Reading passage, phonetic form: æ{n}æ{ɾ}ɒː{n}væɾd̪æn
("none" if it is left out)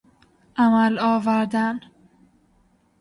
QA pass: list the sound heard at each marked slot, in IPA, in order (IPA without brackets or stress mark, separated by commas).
m, l, none